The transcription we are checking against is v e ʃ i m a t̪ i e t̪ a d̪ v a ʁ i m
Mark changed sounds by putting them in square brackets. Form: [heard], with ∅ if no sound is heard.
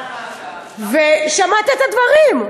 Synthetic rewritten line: v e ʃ [a] m a t̪ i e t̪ a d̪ v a ʁ i m